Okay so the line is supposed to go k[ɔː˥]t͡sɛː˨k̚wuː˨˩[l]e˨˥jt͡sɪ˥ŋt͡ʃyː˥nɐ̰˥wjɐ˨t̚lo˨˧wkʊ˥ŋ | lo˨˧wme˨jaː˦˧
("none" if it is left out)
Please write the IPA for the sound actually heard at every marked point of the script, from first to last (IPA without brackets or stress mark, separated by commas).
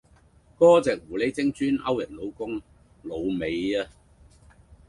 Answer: ɔː˥, l